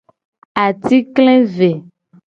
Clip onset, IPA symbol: a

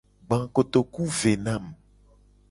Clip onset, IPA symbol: ɡ͡b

